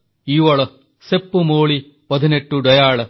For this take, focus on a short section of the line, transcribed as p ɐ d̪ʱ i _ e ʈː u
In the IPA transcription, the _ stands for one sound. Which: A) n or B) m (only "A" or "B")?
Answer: A